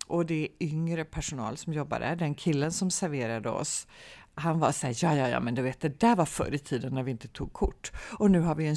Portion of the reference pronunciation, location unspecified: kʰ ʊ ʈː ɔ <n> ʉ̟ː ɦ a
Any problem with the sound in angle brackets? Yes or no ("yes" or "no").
no